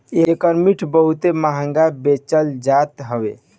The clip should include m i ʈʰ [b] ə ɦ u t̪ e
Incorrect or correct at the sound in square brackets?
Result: correct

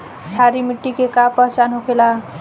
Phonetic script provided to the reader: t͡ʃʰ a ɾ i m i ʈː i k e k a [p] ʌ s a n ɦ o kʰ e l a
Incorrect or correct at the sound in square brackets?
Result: correct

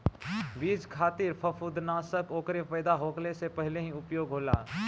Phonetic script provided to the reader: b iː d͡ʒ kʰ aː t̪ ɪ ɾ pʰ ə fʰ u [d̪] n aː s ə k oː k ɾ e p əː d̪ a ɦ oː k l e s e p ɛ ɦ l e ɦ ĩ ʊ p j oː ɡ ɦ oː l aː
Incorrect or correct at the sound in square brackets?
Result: correct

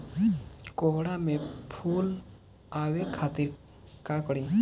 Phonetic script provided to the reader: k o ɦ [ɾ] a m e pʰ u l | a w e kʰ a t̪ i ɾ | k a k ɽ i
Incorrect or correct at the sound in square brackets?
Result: incorrect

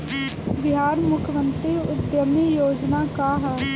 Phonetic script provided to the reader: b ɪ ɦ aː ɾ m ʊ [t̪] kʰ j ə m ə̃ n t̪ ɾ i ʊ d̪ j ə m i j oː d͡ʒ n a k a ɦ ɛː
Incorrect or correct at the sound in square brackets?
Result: incorrect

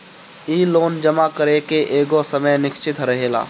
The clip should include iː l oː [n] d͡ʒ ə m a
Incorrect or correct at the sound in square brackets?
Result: correct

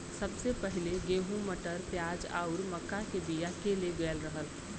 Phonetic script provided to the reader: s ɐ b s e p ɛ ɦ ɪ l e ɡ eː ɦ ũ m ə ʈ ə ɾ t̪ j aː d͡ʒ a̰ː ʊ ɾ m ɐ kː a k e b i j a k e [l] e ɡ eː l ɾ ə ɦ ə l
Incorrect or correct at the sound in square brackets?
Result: correct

